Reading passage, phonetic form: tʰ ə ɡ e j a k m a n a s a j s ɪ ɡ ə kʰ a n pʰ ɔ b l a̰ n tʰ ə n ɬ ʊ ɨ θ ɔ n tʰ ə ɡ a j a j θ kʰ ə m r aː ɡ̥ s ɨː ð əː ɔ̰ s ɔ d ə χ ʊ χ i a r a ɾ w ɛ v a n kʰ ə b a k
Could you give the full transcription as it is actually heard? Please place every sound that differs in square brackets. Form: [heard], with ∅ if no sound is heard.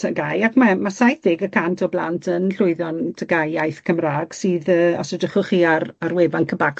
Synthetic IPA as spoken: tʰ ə ɡ [a] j a k m a [m] a s a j [θ] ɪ ɡ ə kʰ a n [tʰ] ɔ b l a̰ n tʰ ə n ɬ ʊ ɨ [ð] ɔ n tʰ ə ɡ a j a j θ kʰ ə m r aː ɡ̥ s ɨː ð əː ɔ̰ s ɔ d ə χ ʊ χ i a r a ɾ w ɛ v a n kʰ ə b a k